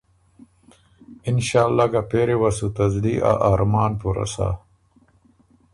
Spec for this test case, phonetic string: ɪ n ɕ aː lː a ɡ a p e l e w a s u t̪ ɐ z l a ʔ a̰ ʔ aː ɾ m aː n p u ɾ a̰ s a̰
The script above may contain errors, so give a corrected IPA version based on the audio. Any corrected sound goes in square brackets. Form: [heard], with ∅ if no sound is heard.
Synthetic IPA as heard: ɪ n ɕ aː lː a ɡ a p e [ɾ] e w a s u t̪ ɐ z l [i] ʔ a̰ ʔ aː ɾ m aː n p u ɾ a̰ s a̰